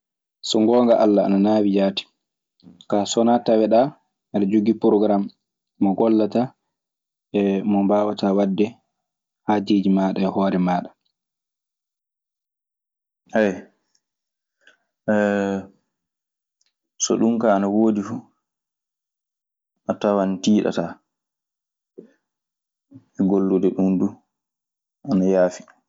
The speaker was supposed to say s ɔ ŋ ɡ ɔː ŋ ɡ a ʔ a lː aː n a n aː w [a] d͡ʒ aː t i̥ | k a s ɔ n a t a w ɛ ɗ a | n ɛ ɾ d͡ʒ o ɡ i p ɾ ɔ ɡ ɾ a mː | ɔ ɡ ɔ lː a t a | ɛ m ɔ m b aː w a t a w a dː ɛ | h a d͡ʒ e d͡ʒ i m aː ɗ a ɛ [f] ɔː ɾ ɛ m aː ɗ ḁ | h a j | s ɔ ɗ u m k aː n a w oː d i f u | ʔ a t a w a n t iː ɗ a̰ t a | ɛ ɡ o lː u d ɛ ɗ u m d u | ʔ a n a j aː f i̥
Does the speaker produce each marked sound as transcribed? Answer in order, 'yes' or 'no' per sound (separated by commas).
no, no